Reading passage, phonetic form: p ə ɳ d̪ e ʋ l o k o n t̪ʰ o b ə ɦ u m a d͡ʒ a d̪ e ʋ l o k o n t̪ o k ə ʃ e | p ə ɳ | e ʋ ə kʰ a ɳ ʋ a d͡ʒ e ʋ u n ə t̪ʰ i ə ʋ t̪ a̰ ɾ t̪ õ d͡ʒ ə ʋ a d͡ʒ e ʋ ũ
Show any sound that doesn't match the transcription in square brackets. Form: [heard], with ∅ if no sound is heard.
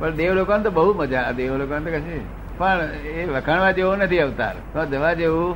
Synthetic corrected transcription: p ə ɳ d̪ e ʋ l o k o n [t̪] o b ə ɦ u m [ə] d͡ʒ a d̪ e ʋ l o k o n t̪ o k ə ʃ e | p ə ɳ | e ʋ ə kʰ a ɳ ʋ a d͡ʒ e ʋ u n ə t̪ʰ i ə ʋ t̪ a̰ ɾ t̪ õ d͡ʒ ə ʋ a d͡ʒ e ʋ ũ